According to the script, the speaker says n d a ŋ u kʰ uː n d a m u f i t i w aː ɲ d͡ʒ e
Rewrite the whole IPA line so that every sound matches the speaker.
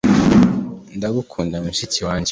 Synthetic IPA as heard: n d a ɡ u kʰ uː n d a m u ʃ i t i w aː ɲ d͡ʒ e